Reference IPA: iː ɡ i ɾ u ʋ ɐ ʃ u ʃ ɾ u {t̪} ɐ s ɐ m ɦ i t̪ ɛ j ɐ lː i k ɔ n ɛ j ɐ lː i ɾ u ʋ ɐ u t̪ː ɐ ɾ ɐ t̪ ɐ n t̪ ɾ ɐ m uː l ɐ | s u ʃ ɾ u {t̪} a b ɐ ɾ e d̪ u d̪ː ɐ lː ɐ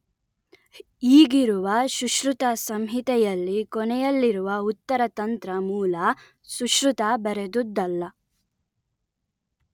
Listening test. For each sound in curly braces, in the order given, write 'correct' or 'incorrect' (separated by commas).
correct, correct